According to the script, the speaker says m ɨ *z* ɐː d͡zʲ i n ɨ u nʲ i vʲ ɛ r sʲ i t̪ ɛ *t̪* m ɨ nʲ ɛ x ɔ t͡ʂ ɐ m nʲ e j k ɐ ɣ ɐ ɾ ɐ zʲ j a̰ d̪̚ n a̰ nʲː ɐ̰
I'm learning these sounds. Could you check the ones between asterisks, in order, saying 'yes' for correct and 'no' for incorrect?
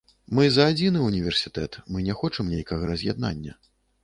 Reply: yes, yes

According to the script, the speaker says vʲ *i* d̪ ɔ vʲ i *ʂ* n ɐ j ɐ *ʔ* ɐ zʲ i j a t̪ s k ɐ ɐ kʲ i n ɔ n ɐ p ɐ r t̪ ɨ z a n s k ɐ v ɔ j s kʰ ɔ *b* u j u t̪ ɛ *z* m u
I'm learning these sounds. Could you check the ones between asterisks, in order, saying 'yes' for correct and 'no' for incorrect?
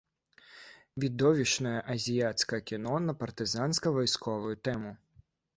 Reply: yes, yes, yes, no, no

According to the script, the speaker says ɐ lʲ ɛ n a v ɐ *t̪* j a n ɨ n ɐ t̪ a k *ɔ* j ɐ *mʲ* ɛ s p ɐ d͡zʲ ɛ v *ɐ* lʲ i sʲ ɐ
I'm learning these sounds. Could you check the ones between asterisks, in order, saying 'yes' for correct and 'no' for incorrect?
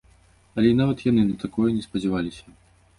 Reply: yes, yes, no, no

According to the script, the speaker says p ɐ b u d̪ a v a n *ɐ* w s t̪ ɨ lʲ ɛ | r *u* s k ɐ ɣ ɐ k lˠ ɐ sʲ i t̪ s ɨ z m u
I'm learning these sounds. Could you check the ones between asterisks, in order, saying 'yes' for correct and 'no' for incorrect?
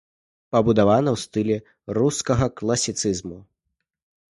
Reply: yes, yes

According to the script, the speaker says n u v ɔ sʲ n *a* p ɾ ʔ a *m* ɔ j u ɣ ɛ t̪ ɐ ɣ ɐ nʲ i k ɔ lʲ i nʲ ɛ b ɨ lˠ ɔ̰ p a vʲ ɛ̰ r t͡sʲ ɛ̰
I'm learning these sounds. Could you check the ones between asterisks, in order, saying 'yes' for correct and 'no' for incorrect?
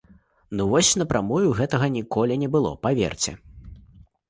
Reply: no, yes

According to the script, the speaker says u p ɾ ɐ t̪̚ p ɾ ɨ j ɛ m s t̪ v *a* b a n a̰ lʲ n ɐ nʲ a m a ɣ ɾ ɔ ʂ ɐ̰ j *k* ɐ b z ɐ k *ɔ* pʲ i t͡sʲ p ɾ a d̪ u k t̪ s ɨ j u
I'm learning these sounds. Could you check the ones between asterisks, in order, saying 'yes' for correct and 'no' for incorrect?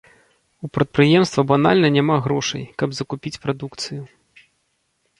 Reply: no, yes, no

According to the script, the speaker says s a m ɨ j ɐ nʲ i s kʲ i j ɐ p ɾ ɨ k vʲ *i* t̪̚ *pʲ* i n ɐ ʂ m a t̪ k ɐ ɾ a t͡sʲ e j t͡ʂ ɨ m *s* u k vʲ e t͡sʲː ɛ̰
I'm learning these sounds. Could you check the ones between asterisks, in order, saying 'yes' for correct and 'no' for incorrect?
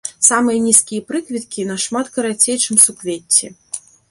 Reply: yes, no, yes

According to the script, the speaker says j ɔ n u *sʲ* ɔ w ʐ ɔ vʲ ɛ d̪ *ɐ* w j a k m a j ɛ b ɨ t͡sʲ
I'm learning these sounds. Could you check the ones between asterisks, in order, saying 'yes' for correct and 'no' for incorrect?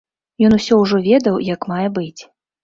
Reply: yes, yes

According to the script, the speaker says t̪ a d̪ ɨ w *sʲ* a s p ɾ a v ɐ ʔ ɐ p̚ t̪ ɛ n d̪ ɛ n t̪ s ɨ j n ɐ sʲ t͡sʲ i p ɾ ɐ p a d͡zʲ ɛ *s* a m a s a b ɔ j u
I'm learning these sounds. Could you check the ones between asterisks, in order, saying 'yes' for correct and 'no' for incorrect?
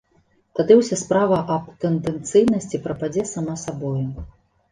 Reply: yes, yes

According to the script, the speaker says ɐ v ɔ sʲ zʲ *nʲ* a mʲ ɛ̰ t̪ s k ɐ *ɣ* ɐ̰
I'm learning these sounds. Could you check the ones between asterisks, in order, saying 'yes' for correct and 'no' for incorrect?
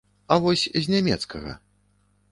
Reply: yes, yes

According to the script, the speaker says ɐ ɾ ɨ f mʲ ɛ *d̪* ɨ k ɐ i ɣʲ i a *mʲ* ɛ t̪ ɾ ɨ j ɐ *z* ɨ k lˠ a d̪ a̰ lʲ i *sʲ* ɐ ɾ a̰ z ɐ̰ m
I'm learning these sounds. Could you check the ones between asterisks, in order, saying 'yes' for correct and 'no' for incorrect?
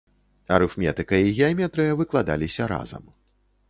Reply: no, yes, no, yes

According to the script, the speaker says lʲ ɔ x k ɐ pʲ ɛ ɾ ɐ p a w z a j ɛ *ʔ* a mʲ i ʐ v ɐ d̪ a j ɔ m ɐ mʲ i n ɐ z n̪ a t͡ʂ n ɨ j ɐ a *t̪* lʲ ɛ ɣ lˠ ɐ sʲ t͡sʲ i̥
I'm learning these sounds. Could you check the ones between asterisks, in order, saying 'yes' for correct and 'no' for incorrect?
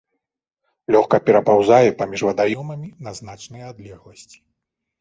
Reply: no, no

